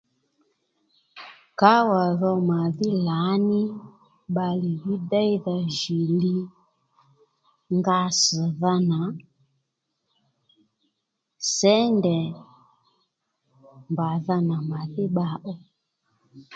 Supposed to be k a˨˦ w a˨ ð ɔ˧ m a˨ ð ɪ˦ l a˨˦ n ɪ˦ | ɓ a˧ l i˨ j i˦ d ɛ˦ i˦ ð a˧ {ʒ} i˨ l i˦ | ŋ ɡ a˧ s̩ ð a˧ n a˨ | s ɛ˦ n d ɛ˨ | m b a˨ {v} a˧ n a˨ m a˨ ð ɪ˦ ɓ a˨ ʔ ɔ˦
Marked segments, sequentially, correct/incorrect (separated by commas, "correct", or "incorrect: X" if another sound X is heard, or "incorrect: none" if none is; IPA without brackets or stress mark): correct, incorrect: ð